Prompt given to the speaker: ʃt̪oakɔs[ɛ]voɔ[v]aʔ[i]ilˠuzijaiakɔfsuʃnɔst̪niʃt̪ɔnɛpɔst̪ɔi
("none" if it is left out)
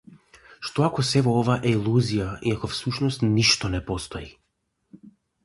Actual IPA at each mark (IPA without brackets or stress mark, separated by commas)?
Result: ɛ, v, ɛ